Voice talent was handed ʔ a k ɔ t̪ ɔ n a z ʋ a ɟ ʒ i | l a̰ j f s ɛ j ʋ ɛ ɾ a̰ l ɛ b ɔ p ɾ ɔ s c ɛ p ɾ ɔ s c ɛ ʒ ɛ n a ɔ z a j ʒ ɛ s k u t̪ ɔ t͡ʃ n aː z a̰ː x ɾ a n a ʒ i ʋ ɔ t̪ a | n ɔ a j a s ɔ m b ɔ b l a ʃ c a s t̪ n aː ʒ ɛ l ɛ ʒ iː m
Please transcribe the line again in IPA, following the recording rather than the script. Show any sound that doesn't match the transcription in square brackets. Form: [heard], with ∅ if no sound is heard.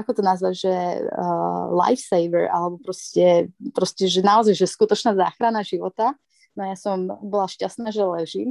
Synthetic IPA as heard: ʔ a k ɔ t̪ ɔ n a z ʋ a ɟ ʒ [ɛ] | l a̰ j f s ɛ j ʋ ɛ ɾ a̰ l ɛ b ɔ p ɾ ɔ s c ɛ p ɾ ɔ s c ɛ ʒ ɛ n a ɔ z a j ʒ ɛ s k u t̪ ɔ t͡ʃ n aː z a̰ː x ɾ a n a ʒ i ʋ ɔ t̪ a | n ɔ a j a s ɔ m b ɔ [∅] l a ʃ c a s t̪ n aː ʒ ɛ l ɛ ʒ iː m